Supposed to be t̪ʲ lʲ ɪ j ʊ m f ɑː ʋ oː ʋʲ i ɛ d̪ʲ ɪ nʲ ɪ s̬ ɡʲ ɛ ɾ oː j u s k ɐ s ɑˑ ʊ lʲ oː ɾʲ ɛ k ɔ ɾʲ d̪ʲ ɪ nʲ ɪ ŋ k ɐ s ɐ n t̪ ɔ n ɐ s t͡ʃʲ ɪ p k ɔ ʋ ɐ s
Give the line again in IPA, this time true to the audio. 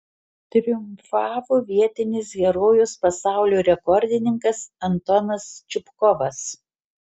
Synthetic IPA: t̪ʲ ɾʲ ɪ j ʊ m f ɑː ʋ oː ʋʲ i ɛ t̪ʲ ɪ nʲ ɪ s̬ ɡʲ ɛ ɾ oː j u s p ɐ s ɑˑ ʊ lʲ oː ɾʲ ɛ k ɔ ɾʲ d̪ʲ ɪ nʲ ɪ ŋ k ɐ s ɐ n t̪ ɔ n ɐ s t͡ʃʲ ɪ p k ɔ ʋ ɐ s